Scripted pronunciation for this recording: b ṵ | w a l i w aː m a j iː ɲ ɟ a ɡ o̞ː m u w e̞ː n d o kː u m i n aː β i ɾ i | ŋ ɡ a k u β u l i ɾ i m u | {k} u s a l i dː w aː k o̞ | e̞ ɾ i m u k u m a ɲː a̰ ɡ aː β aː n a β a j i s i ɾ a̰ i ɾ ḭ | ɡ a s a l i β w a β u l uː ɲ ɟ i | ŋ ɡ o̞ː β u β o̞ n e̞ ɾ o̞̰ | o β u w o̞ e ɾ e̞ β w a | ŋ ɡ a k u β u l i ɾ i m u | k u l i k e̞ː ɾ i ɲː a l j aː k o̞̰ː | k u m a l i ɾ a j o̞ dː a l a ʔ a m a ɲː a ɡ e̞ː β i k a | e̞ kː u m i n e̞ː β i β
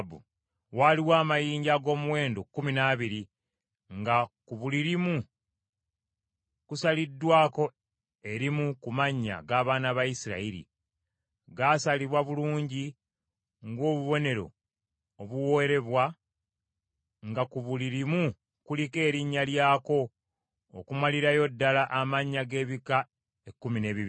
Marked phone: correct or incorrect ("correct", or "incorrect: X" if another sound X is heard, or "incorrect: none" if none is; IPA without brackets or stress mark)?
correct